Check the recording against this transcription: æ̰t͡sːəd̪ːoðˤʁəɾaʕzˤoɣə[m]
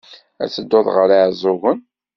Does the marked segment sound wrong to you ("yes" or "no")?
yes